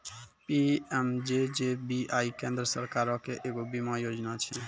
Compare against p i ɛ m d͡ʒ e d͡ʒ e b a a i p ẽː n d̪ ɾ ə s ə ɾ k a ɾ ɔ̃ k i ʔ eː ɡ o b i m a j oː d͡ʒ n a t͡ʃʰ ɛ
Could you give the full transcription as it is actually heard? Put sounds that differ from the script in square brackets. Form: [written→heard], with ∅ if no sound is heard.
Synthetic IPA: p i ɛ m d͡ʒ e d͡ʒ e b [a→i] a i [p→k] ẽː n d̪ ɾ ə s ə ɾ k a ɾ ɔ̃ k [i→e] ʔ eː ɡ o b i m a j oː d͡ʒ n a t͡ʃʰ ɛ